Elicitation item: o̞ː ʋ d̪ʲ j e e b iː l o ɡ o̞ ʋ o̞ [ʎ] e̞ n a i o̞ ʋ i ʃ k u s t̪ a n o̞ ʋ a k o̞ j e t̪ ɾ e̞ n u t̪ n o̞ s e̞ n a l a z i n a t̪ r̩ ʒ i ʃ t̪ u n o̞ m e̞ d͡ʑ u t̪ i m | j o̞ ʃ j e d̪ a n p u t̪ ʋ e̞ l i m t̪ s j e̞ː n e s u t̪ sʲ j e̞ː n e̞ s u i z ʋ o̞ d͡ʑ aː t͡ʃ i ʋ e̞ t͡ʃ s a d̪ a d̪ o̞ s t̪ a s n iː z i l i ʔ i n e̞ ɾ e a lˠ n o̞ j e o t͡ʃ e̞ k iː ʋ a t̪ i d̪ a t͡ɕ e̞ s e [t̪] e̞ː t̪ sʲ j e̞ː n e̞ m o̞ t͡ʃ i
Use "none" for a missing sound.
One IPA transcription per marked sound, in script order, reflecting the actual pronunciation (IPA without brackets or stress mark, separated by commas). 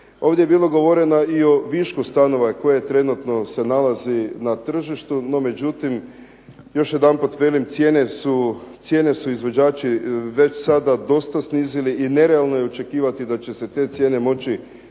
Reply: ɾ, t̪